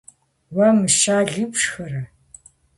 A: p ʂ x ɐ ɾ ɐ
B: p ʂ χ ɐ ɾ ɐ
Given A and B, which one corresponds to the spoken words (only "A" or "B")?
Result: A